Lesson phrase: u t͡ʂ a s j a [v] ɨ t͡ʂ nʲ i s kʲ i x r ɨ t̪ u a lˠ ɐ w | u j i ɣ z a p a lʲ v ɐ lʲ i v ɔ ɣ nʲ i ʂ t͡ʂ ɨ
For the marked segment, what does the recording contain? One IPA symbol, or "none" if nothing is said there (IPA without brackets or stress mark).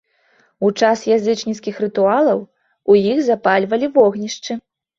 z